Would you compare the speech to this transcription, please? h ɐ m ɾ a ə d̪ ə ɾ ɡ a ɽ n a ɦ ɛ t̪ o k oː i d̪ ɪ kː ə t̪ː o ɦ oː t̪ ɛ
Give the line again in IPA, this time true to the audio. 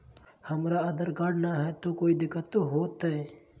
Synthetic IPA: h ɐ m ɾ a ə d̪ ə ɾ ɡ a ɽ n a ɦ ɛ t̪ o k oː i d̪ ɪ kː ə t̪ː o ɦ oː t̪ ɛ